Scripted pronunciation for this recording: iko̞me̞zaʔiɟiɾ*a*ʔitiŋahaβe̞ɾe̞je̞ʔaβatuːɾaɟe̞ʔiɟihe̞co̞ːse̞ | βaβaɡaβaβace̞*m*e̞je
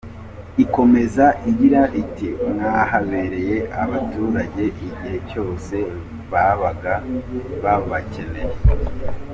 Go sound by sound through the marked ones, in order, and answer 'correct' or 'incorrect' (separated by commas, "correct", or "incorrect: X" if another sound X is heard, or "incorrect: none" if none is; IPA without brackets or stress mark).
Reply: correct, incorrect: n